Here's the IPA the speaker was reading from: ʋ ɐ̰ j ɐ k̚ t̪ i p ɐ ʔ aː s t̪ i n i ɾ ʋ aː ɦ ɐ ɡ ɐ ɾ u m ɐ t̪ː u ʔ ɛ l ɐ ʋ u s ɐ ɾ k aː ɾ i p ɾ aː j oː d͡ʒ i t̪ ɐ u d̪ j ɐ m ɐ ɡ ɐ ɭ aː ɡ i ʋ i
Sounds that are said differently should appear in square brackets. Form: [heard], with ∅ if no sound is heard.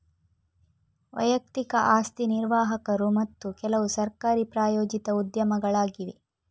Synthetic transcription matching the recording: ʋ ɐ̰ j ɐ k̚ t̪ i [k] ɐ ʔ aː s t̪ i n i ɾ ʋ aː ɦ ɐ [k] ɐ ɾ u m ɐ t̪ː u [k] ɛ l ɐ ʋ u s ɐ ɾ k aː ɾ i p ɾ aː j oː d͡ʒ i t̪ ɐ u d̪ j ɐ m ɐ ɡ ɐ ɭ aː ɡ i ʋ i